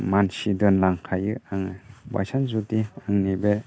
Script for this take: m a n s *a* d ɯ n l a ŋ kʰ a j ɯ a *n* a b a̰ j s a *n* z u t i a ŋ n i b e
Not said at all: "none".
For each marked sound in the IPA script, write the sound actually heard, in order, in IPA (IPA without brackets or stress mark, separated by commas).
i, ŋ, n